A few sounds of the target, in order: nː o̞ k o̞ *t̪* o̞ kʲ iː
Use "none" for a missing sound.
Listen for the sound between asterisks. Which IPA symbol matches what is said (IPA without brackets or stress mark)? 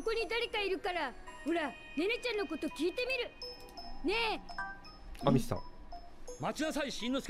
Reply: t̪